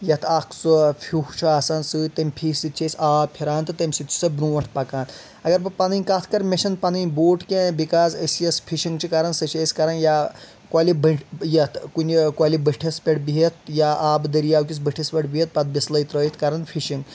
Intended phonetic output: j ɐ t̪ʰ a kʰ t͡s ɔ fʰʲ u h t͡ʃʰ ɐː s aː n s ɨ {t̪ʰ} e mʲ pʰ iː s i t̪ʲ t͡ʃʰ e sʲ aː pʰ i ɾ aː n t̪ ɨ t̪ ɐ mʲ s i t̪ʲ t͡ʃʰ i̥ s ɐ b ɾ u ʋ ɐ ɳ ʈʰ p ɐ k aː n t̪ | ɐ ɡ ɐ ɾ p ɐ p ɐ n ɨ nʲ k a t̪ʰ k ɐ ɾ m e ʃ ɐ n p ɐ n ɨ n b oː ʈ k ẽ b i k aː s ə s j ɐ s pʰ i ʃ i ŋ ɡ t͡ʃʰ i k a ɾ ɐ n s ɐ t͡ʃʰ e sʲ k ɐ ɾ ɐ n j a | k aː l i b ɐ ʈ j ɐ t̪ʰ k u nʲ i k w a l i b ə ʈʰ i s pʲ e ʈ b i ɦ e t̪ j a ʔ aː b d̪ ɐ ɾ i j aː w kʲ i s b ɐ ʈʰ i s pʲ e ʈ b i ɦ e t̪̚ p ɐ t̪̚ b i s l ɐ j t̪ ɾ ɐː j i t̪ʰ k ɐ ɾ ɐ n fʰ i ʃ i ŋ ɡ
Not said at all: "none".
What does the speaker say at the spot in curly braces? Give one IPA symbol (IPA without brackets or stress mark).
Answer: t̪